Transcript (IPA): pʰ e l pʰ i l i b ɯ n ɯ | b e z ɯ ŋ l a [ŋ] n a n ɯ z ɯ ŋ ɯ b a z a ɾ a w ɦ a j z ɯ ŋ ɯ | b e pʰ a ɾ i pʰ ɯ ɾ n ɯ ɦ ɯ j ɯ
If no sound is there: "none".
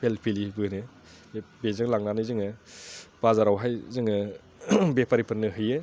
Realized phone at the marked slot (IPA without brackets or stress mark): ŋ